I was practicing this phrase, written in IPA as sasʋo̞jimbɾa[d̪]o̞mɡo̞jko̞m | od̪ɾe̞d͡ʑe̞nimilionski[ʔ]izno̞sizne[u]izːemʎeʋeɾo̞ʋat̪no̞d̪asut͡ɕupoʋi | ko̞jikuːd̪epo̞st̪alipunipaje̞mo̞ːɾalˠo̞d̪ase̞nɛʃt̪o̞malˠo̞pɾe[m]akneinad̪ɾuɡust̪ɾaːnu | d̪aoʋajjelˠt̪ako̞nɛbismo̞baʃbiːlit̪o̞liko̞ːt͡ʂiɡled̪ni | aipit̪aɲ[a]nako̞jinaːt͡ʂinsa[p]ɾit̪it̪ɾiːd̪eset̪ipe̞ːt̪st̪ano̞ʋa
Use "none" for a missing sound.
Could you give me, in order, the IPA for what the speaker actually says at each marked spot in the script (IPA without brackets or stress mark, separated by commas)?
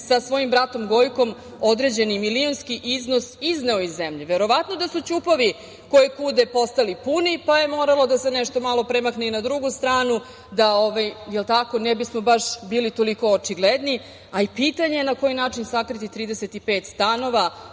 t̪, ʔ, o, m, e, k